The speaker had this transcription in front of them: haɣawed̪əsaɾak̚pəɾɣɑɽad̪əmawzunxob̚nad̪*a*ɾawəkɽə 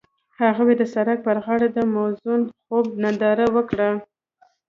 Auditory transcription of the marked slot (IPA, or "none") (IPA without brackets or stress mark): ɑ